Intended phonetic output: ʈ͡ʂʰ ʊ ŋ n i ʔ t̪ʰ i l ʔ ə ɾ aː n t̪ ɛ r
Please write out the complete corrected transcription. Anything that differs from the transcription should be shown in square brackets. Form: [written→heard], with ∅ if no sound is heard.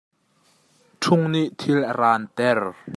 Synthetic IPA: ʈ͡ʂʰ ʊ ŋ n i ʔ t̪ʰ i l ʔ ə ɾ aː n t̪ ɛ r